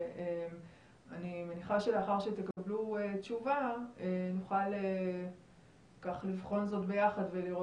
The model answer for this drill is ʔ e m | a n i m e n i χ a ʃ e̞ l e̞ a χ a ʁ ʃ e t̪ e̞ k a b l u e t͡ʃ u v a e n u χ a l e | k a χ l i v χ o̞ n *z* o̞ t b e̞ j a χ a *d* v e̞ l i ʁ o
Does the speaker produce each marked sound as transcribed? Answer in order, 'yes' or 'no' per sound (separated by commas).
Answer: yes, yes